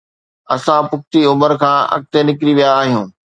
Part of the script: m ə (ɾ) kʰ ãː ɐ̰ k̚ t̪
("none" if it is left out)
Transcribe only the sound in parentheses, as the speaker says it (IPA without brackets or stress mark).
ɾ